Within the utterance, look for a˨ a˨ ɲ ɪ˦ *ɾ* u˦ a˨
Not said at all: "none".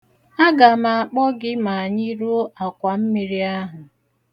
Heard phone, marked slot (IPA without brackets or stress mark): ɾ